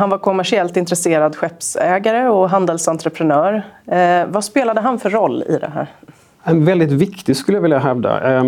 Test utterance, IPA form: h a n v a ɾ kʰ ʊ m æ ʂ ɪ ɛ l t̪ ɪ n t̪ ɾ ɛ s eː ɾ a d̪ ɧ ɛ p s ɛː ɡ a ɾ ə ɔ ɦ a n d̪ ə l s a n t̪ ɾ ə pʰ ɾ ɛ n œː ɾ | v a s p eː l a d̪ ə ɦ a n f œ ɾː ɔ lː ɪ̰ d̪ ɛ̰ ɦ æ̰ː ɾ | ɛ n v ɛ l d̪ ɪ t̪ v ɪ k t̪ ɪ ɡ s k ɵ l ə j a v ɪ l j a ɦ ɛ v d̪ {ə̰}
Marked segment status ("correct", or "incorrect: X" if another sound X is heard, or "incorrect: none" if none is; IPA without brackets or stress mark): incorrect: a̰